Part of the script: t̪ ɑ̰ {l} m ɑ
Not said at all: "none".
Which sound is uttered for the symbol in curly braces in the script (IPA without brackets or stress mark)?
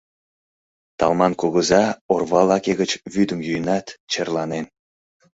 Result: l